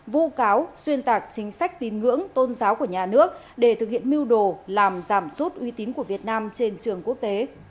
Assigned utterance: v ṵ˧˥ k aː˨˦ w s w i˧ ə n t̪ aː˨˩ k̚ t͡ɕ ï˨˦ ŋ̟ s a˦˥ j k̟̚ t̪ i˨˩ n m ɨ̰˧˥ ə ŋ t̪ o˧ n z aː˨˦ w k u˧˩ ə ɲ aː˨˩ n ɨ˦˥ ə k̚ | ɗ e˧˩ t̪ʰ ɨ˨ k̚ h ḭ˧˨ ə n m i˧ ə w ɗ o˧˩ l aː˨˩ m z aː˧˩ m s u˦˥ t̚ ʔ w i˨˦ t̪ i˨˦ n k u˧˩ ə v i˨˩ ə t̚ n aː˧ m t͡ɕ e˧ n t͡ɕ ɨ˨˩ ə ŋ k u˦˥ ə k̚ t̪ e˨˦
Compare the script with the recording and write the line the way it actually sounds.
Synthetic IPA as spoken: v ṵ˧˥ k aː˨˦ w s w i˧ ə n t̪ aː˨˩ k̚ t͡ɕ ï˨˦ ŋ̟ s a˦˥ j k̟̚ t̪ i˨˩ n ŋ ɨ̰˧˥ ə ŋ t̪ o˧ n z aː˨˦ w k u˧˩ ə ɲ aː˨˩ n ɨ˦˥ ə k̚ | ɗ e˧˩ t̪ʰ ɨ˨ k̚ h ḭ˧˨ ə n m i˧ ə w ɗ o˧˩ l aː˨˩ m z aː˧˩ m s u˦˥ t̚ ʔ w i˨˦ t̪ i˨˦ n k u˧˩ ə v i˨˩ ə t̚ n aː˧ m t͡ɕ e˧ n t͡ɕ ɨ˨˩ ə ŋ k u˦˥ ə k̚ t̪ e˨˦